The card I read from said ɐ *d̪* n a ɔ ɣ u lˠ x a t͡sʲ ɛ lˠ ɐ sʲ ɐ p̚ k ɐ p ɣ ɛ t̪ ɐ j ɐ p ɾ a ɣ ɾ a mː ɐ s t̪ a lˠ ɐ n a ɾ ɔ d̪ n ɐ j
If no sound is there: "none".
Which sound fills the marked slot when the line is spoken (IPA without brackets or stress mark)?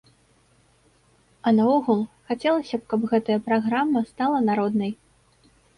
none